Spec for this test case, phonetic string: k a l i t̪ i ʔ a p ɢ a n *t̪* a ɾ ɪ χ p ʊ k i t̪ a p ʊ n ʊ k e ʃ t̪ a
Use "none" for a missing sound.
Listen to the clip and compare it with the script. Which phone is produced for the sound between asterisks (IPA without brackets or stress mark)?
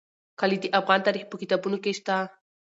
t̪